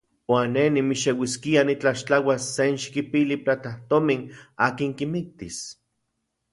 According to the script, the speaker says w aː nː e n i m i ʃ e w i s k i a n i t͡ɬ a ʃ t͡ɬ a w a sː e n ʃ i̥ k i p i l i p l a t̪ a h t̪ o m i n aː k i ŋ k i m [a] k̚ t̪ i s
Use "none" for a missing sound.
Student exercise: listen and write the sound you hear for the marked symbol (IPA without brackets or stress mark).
i